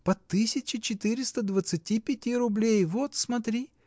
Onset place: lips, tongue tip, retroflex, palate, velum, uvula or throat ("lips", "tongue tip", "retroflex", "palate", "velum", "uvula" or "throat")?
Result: lips